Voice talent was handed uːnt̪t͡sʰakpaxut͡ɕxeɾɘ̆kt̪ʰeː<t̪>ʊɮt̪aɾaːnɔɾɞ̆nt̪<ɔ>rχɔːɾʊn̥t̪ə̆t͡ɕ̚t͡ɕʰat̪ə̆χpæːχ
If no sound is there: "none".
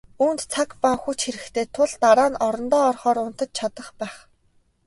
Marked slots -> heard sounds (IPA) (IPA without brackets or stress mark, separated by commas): t̪ʰ, ɔː